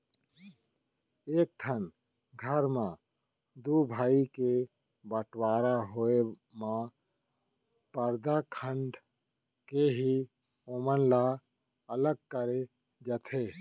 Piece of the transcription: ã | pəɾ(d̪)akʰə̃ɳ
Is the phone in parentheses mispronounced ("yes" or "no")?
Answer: no